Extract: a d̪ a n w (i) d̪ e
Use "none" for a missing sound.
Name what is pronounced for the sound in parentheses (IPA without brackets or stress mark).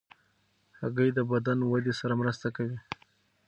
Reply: a